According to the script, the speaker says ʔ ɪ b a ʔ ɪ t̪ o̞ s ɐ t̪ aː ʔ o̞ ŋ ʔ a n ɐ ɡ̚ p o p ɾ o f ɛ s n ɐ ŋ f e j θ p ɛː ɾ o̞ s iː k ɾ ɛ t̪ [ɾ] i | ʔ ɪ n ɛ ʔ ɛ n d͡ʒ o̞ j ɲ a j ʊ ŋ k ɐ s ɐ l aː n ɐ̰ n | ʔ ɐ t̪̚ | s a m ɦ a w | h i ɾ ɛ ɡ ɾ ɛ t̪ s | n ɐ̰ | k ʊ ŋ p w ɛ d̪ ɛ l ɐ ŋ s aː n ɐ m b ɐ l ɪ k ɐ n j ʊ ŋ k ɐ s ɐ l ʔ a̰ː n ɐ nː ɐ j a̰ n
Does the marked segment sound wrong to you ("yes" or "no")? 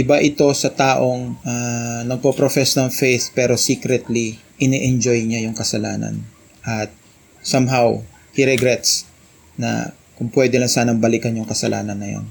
yes